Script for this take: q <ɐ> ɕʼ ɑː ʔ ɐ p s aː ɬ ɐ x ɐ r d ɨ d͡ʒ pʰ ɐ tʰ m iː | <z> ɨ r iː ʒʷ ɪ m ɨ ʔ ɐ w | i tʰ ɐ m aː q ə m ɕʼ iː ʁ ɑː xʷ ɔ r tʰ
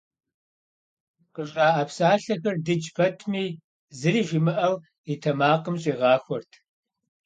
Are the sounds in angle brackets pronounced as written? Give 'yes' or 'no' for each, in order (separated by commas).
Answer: no, yes